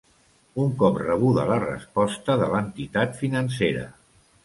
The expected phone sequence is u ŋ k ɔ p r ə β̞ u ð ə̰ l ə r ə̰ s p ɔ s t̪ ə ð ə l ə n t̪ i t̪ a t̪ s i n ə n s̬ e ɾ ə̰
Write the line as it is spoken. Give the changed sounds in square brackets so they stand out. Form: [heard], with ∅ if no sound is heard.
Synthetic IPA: u ŋ k ɔ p r ə β̞ u ð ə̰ l ə r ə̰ s p ɔ s t̪ ə ð ə l ə n t̪ i t̪ a t̪ [f] i n ə n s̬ e ɾ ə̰